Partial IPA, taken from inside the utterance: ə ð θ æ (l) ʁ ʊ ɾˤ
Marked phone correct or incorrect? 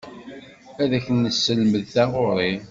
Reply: incorrect: none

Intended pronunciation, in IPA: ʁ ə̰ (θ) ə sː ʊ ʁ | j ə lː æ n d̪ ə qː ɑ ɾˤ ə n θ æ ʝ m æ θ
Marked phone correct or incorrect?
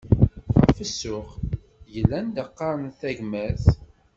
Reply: incorrect: f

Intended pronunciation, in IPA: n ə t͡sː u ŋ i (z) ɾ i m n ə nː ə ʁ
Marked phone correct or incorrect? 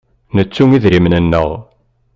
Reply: incorrect: ð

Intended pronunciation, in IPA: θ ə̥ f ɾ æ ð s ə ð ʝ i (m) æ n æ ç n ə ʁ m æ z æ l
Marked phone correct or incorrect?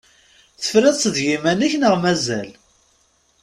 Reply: correct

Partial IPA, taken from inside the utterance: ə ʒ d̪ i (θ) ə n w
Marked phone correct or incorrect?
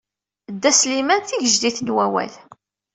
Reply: correct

